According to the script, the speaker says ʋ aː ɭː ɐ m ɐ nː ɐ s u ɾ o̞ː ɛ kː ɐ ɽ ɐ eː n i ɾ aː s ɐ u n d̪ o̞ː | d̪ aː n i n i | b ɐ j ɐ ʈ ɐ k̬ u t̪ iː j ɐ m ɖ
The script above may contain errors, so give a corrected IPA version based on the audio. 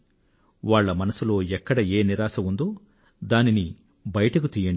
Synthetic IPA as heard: ʋ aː ɭː ɐ m ɐ n ɐ s u l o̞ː ɛ kː ɐ ɽ ɐ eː n i ɾ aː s ɐ u n d̪ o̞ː | d̪ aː n i n i | b ɐ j ɐ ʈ ɐ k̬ u t̪ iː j ɐ ɳ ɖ